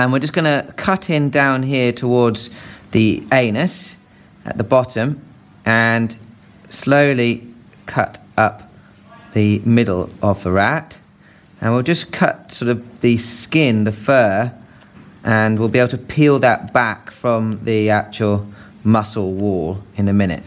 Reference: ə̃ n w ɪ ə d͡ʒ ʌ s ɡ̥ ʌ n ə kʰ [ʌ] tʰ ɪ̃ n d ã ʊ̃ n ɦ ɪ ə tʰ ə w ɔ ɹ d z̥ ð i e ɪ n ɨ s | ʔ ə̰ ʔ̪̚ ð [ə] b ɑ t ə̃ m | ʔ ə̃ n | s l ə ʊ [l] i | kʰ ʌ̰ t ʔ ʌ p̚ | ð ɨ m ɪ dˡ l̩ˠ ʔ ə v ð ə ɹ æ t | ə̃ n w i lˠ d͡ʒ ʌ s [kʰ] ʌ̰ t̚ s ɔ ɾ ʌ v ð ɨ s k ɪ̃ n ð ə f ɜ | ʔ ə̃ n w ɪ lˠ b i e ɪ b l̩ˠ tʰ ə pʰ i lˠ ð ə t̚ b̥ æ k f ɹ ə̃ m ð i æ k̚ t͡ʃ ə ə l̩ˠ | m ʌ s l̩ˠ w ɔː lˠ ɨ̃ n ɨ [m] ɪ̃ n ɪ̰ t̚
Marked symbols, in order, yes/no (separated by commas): yes, yes, yes, yes, yes